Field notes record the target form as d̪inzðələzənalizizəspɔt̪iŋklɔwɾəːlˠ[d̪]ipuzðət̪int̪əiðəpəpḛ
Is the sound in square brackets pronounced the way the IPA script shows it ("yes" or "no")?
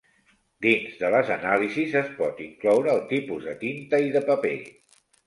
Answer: no